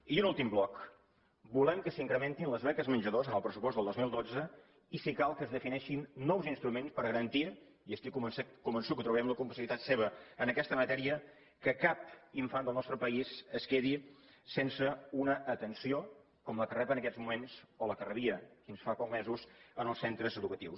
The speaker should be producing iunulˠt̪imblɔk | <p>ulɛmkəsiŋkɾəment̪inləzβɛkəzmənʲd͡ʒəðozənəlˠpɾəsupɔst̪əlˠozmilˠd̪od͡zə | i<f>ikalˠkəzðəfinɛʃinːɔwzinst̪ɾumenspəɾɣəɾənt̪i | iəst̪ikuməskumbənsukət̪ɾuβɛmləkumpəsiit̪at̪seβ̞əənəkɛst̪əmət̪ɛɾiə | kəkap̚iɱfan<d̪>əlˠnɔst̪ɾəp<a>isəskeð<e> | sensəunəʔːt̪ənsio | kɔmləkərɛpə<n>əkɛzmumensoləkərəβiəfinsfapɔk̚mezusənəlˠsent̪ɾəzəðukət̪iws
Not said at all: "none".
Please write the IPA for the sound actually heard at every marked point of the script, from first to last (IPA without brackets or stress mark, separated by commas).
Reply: b, s, d̪, ə, i, n